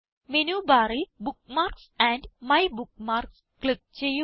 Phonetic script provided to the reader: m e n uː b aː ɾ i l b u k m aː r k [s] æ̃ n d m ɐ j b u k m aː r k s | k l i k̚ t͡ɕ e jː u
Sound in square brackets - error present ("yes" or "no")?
no